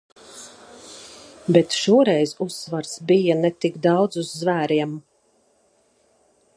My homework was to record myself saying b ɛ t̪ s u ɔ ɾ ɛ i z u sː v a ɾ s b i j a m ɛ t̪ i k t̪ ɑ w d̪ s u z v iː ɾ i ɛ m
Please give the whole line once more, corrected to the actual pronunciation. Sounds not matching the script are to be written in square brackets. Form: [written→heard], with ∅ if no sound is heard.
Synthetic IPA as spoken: b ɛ t̪ [s→ʃ] u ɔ ɾ ɛ [i→j] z u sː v a ɾ s b i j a [m→n] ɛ t̪ i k [t̪→d̪] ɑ w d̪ [s→z] u [z→zː] v [iː→æː] ɾ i ɛ m